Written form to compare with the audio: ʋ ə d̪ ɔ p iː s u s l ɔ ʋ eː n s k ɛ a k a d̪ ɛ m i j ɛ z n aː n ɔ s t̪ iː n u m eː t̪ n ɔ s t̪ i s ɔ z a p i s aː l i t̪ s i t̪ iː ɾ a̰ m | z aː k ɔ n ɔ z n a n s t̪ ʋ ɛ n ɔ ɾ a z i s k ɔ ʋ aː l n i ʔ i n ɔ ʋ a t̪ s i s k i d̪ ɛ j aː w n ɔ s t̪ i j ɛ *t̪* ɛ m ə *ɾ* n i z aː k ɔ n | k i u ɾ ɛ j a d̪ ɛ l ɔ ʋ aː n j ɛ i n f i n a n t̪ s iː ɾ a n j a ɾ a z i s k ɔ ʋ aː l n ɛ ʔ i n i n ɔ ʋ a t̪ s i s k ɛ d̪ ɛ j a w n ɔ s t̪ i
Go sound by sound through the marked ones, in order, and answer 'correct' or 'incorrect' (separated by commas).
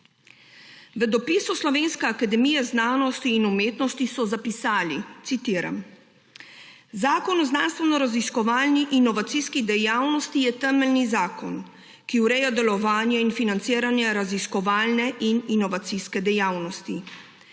correct, incorrect